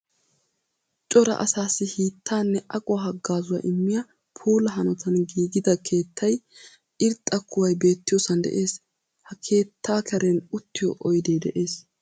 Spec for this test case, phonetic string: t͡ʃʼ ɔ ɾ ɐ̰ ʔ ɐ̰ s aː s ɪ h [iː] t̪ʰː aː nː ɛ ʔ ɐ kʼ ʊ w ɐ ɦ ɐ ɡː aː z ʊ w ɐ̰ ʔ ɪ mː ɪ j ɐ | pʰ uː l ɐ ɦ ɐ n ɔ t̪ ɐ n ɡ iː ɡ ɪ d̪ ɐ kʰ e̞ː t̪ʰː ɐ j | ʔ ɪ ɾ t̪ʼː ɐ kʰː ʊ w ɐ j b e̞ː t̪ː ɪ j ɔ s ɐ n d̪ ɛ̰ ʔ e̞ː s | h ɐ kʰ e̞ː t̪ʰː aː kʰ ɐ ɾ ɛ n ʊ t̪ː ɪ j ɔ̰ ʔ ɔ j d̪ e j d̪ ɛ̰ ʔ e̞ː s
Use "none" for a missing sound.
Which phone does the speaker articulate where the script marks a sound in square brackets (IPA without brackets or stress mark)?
iː